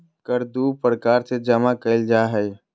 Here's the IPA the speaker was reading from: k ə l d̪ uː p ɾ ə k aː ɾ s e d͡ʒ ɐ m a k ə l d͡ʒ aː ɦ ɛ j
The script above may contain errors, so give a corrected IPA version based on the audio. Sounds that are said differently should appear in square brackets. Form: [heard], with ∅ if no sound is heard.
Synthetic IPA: k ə [ɾ] d̪ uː p ɾ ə k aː ɾ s e d͡ʒ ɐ m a k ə l d͡ʒ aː ɦ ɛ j